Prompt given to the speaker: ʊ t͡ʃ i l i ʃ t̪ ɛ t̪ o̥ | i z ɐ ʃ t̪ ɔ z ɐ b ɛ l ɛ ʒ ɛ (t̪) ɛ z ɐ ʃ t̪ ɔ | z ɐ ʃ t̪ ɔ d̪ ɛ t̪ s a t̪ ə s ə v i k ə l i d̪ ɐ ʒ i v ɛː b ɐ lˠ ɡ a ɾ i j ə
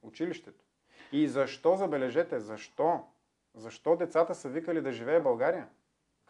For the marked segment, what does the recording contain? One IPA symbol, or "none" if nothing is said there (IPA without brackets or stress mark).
t̪